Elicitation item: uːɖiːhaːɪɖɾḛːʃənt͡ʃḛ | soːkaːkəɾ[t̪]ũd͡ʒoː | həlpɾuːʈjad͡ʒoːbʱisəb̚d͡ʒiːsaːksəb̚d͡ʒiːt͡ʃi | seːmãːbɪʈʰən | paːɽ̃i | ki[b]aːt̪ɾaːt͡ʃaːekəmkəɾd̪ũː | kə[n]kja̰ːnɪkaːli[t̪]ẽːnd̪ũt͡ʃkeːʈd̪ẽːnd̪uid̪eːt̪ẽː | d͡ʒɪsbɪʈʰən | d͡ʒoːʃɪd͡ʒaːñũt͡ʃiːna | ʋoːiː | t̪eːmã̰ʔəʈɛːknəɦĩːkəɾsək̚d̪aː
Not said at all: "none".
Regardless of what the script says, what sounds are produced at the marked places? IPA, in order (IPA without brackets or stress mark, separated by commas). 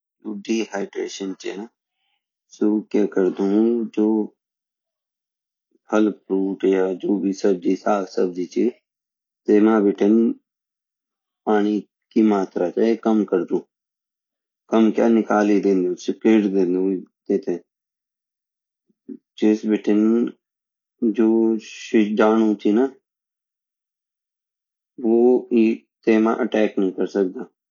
d̪, m, m, d̪